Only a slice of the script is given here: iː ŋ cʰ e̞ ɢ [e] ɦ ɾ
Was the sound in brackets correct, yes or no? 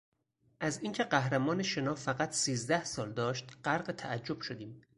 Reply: no